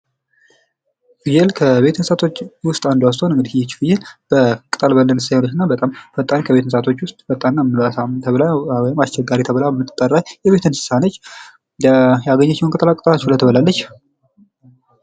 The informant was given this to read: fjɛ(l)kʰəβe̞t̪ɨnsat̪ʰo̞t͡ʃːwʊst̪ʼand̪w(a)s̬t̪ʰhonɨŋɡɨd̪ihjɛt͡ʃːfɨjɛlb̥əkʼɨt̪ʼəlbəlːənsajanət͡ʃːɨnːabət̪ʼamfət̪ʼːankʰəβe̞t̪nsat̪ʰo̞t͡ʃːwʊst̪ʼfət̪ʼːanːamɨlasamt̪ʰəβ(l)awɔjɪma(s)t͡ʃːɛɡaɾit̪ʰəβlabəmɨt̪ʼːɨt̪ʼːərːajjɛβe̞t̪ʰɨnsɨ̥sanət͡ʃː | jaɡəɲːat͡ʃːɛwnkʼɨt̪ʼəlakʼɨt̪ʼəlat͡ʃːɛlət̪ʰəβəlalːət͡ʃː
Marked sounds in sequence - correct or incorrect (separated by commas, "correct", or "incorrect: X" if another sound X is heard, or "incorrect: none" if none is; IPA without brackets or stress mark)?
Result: correct, correct, correct, correct